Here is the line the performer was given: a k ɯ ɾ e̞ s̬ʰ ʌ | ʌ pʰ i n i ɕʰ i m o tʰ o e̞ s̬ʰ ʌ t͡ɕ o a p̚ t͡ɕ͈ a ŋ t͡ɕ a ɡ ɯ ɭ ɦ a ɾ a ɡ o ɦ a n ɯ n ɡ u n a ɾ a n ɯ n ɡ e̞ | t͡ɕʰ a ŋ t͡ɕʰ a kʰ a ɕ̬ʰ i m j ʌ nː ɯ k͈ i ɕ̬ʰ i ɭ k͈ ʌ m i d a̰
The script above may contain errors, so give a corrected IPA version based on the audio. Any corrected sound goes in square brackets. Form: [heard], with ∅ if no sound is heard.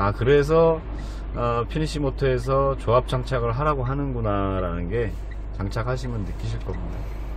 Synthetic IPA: a k ɯ ɾ e̞ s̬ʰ ʌ | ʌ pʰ i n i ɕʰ i m o tʰ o e̞ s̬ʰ ʌ t͡ɕ o a p̚ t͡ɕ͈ a ŋ [t͡ɕʰ] a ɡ ɯ ɭ ɦ a ɾ a ɡ o ɦ a n ɯ n ɡ u n a ɾ a n ɯ n ɡ e̞ | [t͡ɕ] a ŋ t͡ɕʰ a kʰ a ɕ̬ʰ i m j ʌ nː ɯ k͈ i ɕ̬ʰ i ɭ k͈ ʌ m i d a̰